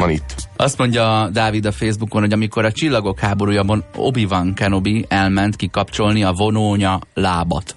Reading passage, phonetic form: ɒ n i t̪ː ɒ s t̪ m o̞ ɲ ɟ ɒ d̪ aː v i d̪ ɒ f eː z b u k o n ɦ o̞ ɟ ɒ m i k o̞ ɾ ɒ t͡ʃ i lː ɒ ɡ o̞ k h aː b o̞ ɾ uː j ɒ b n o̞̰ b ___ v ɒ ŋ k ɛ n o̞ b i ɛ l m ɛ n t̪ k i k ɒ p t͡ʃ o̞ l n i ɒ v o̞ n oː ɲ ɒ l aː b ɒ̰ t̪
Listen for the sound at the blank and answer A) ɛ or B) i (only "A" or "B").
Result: B